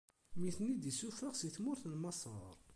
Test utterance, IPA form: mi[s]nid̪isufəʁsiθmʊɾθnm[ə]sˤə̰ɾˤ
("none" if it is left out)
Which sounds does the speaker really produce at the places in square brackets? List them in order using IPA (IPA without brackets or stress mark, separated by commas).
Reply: θ, ɑ